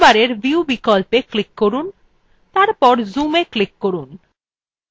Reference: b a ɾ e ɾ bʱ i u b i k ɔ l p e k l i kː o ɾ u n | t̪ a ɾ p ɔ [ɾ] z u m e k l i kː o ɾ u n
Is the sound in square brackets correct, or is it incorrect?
correct